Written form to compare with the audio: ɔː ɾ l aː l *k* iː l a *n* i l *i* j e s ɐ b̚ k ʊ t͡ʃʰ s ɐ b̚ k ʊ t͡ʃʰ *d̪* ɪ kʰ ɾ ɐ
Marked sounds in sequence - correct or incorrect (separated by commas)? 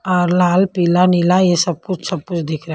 incorrect, correct, incorrect, correct